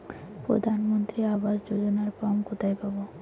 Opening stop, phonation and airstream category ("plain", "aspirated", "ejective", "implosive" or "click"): plain